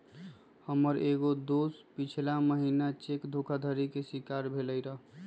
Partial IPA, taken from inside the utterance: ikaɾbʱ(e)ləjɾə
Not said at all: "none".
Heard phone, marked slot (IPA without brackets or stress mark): e